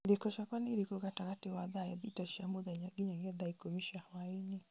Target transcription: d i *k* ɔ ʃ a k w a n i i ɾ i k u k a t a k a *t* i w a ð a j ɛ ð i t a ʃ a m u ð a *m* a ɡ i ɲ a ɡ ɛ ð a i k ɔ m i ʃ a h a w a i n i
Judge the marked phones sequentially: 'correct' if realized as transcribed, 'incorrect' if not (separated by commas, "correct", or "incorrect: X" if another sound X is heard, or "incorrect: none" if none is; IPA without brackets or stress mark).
correct, correct, incorrect: ɲ